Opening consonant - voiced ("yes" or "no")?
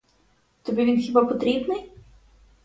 no